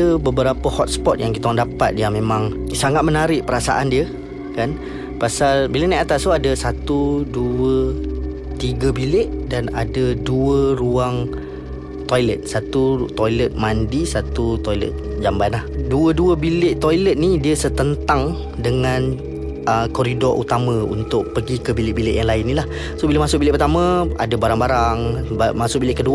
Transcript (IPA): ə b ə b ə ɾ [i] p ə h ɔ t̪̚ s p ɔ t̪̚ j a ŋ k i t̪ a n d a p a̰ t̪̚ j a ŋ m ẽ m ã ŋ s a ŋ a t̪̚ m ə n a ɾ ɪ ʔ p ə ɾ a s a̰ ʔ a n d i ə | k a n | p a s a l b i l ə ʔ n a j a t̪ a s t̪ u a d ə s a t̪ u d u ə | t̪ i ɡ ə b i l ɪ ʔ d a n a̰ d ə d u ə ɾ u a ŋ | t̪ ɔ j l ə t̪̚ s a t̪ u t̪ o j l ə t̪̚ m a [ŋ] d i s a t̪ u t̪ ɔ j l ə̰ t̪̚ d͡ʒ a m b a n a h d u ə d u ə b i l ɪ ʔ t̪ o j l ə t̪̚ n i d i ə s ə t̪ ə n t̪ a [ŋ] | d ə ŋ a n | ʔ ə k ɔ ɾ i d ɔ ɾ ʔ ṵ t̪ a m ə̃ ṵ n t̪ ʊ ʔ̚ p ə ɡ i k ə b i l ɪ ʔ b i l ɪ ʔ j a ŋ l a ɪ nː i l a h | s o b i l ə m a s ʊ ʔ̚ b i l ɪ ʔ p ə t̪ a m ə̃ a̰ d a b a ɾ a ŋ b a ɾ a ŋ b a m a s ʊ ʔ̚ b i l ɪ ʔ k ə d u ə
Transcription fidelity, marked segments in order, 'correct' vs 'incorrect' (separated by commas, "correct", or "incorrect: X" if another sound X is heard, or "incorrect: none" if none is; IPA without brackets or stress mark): incorrect: a, incorrect: n, correct